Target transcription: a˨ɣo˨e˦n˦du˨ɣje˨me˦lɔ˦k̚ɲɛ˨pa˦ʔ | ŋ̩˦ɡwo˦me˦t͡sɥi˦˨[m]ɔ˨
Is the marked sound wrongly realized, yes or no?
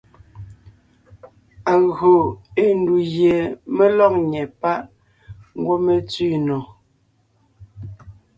yes